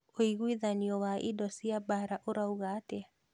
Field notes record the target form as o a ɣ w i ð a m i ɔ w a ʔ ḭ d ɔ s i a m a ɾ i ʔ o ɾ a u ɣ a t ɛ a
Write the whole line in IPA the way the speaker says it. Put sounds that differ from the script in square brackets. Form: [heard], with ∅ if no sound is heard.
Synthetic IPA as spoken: o [i] ɣ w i ð a [n] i ɔ w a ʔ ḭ d ɔ s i a [b] a ɾ [a] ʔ o ɾ a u ɣ a t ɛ a